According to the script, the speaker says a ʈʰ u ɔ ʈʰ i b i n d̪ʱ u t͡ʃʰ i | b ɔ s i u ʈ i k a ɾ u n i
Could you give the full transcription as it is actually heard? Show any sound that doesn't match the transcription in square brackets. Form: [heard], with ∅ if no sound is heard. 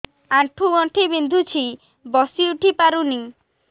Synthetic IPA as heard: a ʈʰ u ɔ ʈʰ i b i n d̪ʱ u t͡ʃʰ i | b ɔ s i u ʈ i [p] a ɾ u n i